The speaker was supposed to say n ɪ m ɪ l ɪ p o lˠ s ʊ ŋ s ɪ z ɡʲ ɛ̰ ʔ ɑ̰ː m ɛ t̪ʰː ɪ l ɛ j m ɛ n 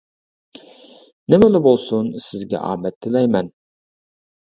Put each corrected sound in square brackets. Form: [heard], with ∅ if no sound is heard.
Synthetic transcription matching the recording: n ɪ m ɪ l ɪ [b] o lˠ s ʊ [n] s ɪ z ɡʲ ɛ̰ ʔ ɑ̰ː m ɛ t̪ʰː ɪ l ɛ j m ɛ n